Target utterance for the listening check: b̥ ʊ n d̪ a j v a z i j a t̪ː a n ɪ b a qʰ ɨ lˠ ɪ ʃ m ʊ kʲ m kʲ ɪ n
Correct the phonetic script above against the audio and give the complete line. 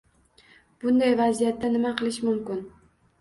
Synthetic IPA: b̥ ʊ n d̪ a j v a z i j a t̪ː a n ɪ m a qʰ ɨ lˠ ɪ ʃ m ʊ m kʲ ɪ n